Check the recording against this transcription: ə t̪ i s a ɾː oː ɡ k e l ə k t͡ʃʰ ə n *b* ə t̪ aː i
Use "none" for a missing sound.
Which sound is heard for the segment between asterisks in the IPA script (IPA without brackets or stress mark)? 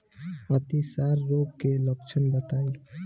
b